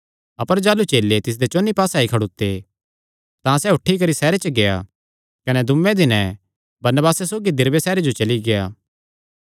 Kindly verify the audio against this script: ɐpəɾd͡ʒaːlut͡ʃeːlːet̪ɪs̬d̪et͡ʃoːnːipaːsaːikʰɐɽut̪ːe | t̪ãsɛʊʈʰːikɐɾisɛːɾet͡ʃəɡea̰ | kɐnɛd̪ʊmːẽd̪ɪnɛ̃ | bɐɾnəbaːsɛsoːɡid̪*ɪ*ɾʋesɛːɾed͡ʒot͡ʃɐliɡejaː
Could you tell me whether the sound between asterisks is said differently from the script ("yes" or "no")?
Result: no